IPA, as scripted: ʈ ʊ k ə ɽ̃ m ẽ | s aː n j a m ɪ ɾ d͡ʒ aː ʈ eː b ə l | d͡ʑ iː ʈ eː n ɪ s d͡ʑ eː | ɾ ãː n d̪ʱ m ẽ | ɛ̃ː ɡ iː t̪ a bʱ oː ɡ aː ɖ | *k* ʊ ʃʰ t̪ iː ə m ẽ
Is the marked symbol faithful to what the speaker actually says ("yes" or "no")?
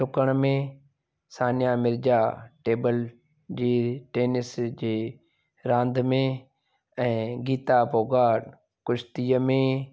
yes